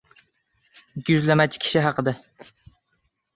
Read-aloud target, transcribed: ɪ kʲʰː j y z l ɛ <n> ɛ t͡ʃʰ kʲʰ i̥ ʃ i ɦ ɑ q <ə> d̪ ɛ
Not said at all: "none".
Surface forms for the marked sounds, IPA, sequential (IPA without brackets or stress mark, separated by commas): m, ə